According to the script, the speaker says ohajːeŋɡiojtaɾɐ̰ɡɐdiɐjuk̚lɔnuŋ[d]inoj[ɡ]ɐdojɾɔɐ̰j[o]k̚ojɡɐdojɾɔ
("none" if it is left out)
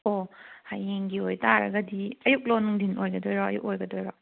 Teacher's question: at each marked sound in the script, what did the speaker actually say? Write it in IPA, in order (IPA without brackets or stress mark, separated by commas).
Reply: d, ɡ, u